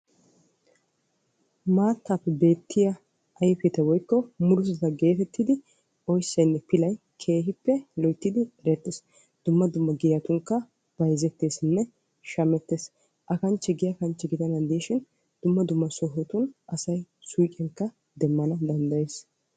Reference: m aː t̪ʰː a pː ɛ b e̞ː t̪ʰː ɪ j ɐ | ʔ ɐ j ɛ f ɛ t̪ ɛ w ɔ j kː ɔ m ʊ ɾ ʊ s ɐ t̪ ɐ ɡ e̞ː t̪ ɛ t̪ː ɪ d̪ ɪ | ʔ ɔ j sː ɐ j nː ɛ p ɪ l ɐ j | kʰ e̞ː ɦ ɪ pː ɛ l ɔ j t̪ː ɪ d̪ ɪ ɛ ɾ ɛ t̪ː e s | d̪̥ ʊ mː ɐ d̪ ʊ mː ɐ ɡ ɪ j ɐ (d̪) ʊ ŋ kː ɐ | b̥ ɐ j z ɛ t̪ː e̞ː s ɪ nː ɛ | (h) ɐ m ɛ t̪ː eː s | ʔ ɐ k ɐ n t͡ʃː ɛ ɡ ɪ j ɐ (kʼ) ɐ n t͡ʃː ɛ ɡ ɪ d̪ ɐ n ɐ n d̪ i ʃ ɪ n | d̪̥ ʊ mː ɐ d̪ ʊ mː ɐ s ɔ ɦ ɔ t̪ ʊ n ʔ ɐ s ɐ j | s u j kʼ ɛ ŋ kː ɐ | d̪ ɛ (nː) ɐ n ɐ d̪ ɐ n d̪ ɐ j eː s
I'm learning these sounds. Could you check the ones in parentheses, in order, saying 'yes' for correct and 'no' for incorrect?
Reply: no, no, no, no

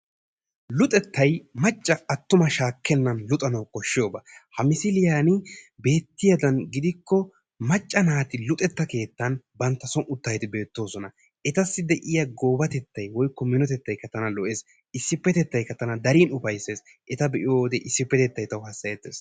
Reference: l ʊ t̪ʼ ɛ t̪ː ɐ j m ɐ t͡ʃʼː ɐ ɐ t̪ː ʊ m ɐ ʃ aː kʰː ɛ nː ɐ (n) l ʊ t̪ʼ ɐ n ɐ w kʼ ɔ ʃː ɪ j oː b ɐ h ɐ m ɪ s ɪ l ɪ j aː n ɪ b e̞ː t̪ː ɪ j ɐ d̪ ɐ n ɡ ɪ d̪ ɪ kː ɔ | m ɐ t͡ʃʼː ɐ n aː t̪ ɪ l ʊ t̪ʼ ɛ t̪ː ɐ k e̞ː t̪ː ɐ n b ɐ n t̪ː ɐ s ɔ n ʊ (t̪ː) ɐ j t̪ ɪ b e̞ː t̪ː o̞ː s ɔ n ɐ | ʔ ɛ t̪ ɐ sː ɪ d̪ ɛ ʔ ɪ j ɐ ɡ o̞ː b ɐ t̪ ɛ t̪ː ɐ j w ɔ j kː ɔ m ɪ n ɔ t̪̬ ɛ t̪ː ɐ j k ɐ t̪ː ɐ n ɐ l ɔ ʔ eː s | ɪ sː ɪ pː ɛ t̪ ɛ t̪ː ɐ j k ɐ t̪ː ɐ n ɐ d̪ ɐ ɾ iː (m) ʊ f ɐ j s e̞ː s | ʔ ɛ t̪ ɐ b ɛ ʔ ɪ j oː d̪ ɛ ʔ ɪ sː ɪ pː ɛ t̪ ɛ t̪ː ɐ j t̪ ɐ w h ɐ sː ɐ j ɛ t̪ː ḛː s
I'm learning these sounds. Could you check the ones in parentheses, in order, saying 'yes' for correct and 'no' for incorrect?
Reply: yes, yes, no

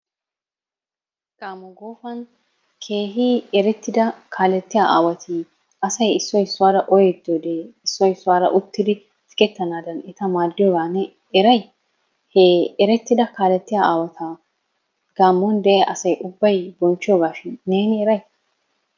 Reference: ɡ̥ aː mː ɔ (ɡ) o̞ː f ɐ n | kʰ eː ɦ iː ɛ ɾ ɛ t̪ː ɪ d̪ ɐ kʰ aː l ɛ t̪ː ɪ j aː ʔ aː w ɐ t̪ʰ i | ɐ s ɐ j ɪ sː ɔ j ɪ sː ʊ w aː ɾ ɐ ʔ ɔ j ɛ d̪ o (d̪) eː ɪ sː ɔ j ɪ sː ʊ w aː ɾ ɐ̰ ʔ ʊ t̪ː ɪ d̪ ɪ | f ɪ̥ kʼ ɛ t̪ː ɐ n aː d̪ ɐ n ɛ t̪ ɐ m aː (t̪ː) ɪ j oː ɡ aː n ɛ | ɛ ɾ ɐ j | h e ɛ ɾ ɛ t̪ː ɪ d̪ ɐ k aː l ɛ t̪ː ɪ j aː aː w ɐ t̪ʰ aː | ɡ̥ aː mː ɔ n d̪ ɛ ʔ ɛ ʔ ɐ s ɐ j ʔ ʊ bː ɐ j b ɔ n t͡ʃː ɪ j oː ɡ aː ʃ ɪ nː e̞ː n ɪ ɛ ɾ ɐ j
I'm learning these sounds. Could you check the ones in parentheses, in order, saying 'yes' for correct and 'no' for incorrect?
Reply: yes, yes, no

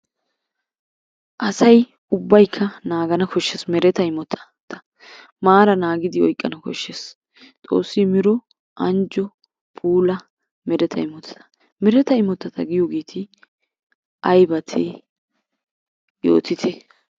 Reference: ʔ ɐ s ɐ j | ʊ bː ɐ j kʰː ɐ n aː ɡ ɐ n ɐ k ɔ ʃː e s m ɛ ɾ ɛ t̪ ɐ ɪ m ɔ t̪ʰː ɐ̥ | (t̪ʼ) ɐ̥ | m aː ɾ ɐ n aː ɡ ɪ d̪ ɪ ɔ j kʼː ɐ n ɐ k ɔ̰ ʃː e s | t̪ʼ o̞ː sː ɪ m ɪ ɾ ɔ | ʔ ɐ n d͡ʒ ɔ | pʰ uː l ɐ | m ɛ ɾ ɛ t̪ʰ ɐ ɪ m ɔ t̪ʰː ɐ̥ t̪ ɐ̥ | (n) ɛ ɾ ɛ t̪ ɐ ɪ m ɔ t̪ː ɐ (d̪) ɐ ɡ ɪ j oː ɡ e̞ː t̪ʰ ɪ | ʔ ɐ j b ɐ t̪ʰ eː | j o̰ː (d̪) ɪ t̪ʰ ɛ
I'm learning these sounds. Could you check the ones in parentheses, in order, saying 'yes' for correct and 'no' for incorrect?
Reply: no, no, no, no

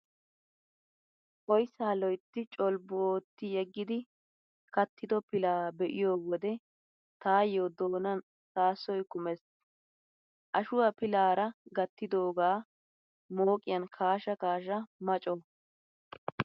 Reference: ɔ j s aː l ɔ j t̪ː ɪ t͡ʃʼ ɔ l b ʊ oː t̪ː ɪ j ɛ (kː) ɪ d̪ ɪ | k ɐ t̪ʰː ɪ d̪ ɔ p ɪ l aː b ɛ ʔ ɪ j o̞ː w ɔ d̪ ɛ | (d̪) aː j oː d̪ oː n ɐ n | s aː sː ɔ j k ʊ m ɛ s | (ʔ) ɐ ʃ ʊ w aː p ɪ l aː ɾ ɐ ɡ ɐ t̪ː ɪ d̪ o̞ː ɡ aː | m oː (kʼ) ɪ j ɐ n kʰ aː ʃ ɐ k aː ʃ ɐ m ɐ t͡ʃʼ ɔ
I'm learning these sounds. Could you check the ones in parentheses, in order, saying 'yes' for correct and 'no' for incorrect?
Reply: no, no, yes, yes

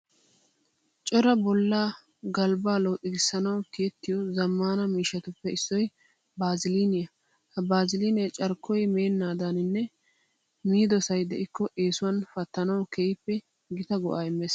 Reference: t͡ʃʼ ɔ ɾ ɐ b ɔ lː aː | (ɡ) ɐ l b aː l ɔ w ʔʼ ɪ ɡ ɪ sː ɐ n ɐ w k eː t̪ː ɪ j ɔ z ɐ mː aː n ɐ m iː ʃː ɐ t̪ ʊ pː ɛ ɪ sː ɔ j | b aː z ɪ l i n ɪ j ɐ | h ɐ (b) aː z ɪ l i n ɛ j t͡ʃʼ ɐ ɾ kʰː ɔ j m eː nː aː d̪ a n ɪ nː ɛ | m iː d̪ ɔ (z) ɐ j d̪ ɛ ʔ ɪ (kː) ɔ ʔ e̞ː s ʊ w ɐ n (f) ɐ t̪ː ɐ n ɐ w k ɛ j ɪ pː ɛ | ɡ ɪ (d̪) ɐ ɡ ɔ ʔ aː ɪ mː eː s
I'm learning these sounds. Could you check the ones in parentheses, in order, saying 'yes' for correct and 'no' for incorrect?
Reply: yes, yes, no, yes, yes, no

